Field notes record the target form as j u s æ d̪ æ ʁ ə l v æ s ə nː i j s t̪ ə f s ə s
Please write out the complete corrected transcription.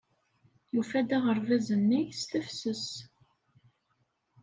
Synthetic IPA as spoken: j u f æ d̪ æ ʁ ə ɾ v æ z ə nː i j s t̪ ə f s ə s